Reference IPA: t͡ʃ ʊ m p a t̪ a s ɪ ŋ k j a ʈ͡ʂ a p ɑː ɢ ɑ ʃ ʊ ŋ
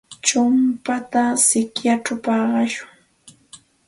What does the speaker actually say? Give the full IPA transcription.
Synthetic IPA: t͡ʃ ʊ m p a t̪ a s ɪ k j a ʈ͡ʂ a p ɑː ɢ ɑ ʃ ʊ ŋ